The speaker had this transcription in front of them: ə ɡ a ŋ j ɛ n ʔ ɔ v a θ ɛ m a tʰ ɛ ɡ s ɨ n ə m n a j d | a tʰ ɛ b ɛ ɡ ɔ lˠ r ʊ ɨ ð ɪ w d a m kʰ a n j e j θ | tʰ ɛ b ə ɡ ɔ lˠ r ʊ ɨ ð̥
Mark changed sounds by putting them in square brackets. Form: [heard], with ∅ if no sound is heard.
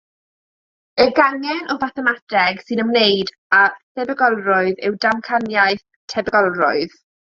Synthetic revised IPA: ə ɡ a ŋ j ɛ n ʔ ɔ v a θ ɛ m a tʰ ɛ ɡ s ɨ n ə m n [e] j d | a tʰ ɛ b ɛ ɡ ɔ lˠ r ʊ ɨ ð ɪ w d a m kʰ a n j [a] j θ | tʰ ɛ b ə ɡ ɔ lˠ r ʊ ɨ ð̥